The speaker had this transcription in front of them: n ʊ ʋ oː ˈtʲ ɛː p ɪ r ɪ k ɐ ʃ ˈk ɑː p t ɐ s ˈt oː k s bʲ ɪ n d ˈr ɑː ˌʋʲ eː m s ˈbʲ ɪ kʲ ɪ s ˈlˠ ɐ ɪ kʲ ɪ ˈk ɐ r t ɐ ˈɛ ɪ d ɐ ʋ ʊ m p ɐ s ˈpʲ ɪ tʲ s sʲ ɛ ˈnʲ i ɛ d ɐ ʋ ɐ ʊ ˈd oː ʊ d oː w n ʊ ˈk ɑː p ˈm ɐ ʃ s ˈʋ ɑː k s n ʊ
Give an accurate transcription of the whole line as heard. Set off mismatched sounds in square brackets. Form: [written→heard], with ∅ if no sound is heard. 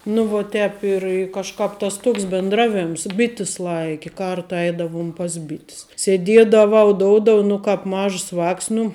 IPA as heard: n ʊ ʋ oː ˈtʲ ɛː p ɪ r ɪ k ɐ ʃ ˈk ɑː p t ɐ s ˈt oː k s bʲ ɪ n d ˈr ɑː ˌʋʲ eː m s ˈbʲ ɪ [kʲ→tʲ] ɪ s ˈlˠ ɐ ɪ kʲ ɪ ˈk ɐ r t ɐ ˈɛ ɪ d ɐ ʋ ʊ m p ɐ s [ˈpʲ→ˈbʲ] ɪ tʲ s sʲ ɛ [ˈnʲ→ˈdʲ] i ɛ d ɐ ʋ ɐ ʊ ˈd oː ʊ d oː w n ʊ ˈk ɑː p ˈm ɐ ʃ s ˈʋ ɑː k s n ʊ